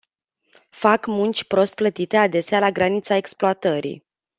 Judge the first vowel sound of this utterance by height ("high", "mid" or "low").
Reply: low